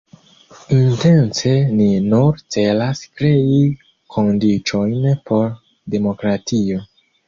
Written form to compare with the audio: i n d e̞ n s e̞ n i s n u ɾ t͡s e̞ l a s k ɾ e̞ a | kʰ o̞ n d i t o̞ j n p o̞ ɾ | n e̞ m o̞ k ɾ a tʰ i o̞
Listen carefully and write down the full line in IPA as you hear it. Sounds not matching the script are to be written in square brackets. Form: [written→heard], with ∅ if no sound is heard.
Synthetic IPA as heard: i n [d→t] e̞ n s e̞ n i [s→∅] n u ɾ t͡s e̞ l a s k ɾ e̞ [a→i] | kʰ o̞ n d i [t→t͡ʃ] o̞ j n p o̞ ɾ | [n→d] e̞ m o̞ k ɾ a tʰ i o̞